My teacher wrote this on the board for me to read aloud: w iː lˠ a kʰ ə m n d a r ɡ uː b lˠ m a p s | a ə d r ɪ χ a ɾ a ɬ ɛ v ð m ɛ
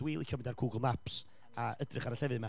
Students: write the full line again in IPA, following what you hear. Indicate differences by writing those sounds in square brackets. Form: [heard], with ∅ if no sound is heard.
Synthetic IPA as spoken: w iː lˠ [i] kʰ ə m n d a r ɡ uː [ɡ] lˠ m a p s | a ə d r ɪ χ a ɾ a ɬ ɛ v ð m [a]